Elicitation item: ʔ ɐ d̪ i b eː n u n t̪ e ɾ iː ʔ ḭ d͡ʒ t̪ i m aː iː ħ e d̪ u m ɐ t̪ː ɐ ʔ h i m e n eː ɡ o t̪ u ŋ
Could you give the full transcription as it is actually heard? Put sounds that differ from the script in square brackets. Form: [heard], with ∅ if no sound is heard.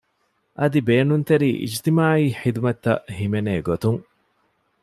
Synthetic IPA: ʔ ɐ d̪ i b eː n u n t̪ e ɾ iː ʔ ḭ d͡ʒ t̪ i m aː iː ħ [i] d̪ u m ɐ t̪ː ɐ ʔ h i m e n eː ɡ o t̪ u ŋ